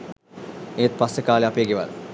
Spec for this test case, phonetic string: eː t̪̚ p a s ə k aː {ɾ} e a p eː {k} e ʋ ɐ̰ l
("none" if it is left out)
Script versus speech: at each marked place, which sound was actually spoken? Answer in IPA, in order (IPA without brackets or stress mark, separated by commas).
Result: l, ɡ